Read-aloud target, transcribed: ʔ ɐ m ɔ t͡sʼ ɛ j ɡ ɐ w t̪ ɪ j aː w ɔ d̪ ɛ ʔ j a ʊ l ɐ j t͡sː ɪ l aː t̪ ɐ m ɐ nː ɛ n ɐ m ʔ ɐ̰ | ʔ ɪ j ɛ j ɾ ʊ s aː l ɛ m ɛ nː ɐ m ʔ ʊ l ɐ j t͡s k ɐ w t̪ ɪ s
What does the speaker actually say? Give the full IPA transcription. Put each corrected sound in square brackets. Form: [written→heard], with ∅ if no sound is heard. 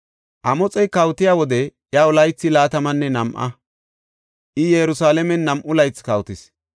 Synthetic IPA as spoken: ʔ ɐ m ɔ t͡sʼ ɛ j [ɡ→k] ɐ w t̪ ɪ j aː w ɔ d̪ ɛ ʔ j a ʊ l ɐ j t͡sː ɪ l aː t̪ ɐ m ɐ nː ɛ n ɐ m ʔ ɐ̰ | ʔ ɪ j ɛ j ɾ ʊ s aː l ɛ m ɛ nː ɐ m ʔ ʊ l ɐ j t͡s k ɐ w t̪ ɪ s

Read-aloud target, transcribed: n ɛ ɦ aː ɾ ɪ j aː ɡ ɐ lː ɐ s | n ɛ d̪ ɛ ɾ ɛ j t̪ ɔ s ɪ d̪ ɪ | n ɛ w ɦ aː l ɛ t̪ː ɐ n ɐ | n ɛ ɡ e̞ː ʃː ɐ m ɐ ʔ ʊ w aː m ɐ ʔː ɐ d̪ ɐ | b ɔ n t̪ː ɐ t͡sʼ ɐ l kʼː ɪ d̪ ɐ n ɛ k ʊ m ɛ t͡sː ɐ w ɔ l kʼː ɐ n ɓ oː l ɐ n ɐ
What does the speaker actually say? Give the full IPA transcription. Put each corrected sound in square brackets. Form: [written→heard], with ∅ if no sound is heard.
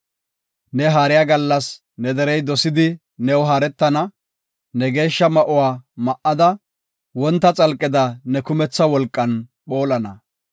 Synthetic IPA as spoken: n ɛ ɦ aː ɾ ɪ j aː ɡ ɐ lː ɐ s | n ɛ d̪ ɛ ɾ ɛ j [t̪→d̪] ɔ s ɪ d̪ ɪ | n ɛ w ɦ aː [l→ɾ] ɛ t̪ː ɐ n ɐ | n ɛ ɡ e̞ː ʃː ɐ m ɐ ʔ ʊ w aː m ɐ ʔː ɐ d̪ ɐ | [b→w] ɔ n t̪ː ɐ t͡sʼ ɐ l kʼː ɪ d̪ ɐ n ɛ k ʊ m ɛ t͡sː ɐ w ɔ l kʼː ɐ n ɓ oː l ɐ n ɐ

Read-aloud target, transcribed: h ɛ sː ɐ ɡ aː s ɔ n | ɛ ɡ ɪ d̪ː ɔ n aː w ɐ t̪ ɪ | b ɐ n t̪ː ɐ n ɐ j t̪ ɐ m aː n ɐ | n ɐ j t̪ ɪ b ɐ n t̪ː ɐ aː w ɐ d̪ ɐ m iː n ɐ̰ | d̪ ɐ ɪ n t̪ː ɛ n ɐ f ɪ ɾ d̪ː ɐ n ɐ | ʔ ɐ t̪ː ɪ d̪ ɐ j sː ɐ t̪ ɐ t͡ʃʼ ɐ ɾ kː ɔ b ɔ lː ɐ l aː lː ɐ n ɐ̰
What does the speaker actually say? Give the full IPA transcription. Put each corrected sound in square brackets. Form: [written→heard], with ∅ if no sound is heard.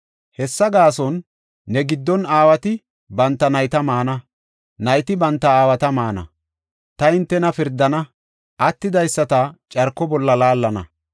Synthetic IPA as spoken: h ɛ sː ɐ ɡ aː s ɔ [n→nː] | ɛ ɡ ɪ d̪ː ɔ n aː w ɐ t̪ ɪ | b ɐ n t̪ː ɐ n ɐ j t̪ ɐ m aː n ɐ | n ɐ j t̪ ɪ b ɐ n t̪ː ɐ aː w ɐ [d̪→t̪] ɐ m [iː→aː] n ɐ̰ | [d̪→t̪] ɐ ɪ n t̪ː ɛ n ɐ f ɪ ɾ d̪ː ɐ n ɐ | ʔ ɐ t̪ː ɪ d̪ ɐ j sː ɐ t̪ ɐ t͡ʃʼ ɐ ɾ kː ɔ b ɔ lː ɐ l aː lː ɐ n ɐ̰

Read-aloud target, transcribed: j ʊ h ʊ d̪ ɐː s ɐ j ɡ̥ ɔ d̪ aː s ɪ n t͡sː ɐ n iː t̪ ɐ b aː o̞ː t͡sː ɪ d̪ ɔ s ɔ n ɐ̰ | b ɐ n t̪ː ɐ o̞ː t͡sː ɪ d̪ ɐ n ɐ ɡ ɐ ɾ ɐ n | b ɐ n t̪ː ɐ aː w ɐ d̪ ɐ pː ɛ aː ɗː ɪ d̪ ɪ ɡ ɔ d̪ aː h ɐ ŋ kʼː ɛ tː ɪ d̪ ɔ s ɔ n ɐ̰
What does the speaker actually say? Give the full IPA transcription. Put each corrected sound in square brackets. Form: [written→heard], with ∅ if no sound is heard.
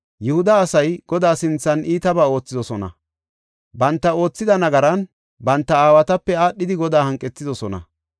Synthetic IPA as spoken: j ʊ h ʊ d̪ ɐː s ɐ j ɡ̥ ɔ d̪ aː s ɪ n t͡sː ɐ n iː t̪ ɐ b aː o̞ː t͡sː ɪ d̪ ɔ s ɔ n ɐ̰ | b ɐ n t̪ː ɐ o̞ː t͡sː ɪ d̪ ɐ n ɐ ɡ ɐ ɾ ɐ n | b ɐ n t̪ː ɐ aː w ɐ [d̪→t̪] ɐ pː ɛ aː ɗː ɪ d̪ ɪ ɡ ɔ d̪ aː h ɐ ŋ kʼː ɛ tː ɪ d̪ ɔ s ɔ n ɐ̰

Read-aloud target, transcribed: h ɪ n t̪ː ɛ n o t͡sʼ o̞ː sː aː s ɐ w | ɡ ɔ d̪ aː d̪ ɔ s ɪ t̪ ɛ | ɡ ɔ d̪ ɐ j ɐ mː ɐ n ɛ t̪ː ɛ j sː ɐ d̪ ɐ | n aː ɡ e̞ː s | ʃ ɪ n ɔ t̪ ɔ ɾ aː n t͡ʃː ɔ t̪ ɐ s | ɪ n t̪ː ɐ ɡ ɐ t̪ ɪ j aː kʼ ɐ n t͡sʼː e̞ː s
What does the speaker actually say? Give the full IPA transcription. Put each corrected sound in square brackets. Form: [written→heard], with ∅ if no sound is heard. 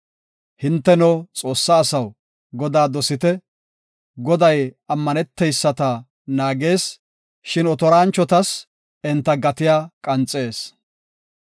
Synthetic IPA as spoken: h ɪ n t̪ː ɛ n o t͡sʼ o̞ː sː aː s ɐ w | ɡ ɔ d̪ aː d̪ ɔ s ɪ t̪ ɛ | ɡ ɔ d̪ ɐ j ɐ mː ɐ n ɛ t̪ː ɛ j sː ɐ [d̪→t̪] ɐ | n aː ɡ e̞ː s | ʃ ɪ n ɔ t̪ ɔ ɾ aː n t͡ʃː ɔ t̪ ɐ s | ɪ n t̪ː ɐ ɡ ɐ t̪ ɪ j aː kʼ ɐ n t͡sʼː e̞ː s

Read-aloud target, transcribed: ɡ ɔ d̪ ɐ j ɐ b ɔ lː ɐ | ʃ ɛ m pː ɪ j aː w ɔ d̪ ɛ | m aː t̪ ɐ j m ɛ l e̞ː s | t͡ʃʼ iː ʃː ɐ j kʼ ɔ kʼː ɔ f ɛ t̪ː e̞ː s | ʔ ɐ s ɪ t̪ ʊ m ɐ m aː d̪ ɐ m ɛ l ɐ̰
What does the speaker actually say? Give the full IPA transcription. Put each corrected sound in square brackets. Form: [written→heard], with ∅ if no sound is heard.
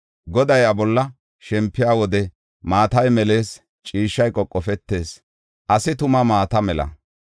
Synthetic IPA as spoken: ɡ ɔ d̪ ɐ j ɐ b ɔ lː ɐ | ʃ ɛ m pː ɪ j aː w ɔ d̪ ɛ | m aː t̪ ɐ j m ɛ l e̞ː s | t͡ʃʼ iː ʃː ɐ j kʼ ɔ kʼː ɔ f ɛ t̪ː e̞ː s | ʔ ɐ s ɪ t̪ ʊ m ɐ m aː [d̪→t̪] ɐ m ɛ l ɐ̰

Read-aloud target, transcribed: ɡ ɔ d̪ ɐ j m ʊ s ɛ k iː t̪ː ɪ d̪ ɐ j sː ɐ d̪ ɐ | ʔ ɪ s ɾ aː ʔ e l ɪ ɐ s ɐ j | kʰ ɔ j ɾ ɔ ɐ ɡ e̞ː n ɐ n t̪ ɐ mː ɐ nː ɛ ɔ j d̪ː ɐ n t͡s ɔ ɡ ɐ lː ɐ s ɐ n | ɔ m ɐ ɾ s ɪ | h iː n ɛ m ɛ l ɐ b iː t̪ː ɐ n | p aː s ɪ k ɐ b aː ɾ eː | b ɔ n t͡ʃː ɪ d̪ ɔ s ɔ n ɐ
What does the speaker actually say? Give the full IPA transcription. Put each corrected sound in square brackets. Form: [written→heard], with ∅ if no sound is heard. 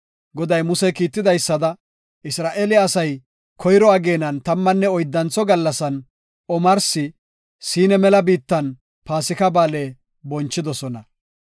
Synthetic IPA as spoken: ɡ ɔ d̪ ɐ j m ʊ s ɛ k iː t̪ː ɪ d̪ ɐ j sː ɐ d̪ ɐ | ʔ ɪ s ɾ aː ʔ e l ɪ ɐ s ɐ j | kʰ ɔ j ɾ ɔ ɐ ɡ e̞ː n ɐ n t̪ ɐ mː ɐ nː ɛ ɔ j d̪ː ɐ n t͡s ɔ ɡ ɐ lː ɐ s ɐ n | ɔ m ɐ ɾ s ɪ | [h→s] iː n ɛ m ɛ l ɐ b iː t̪ː ɐ n | p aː s ɪ k ɐ b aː [ɾ→l] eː | b ɔ n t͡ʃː ɪ d̪ ɔ s ɔ n ɐ

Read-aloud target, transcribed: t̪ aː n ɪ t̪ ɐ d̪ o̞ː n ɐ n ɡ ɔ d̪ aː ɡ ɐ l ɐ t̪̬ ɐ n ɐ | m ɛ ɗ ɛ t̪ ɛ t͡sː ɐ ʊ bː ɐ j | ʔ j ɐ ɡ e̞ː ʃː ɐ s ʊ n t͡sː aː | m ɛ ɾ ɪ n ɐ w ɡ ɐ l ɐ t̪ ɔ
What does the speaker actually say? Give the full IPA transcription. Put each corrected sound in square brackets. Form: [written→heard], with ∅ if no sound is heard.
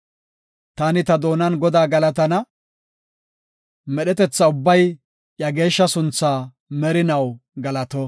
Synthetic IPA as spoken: t̪ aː n ɪ t̪ ɐ d̪ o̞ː n ɐ n ɡ ɔ d̪ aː ɡ ɐ l ɐ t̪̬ ɐ n ɐ | m ɛ ɗ ɛ t̪ ɛ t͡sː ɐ ʊ bː ɐ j | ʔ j ɐ ɡ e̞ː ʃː ɐ s ʊ n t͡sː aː | m ɛ ɾ ɪ n ɐ w ɡ ɐ l ɐ t̪ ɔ

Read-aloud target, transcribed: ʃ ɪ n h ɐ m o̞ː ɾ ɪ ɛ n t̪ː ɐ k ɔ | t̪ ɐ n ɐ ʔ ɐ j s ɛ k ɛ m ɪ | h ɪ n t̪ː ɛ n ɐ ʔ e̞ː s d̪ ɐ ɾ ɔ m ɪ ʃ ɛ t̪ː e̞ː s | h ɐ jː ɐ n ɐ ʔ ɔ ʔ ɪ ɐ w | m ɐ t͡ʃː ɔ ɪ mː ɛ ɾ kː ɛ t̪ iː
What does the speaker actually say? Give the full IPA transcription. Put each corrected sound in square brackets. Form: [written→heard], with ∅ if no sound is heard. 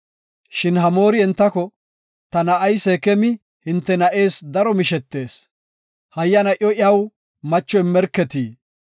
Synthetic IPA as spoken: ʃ ɪ n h ɐ m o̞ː ɾ ɪ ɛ n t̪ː ɐ k ɔ | t̪ ɐ n ɐ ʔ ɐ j s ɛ k ɛ m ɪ | h ɪ n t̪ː ɛ n ɐ ʔ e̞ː s d̪ ɐ ɾ ɔ m ɪ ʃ ɛ t̪ː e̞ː s | h ɐ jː ɐ n ɐ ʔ ɔ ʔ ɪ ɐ w | m ɐ t͡ʃː ɔ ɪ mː ɛ ɾ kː ɛ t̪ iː

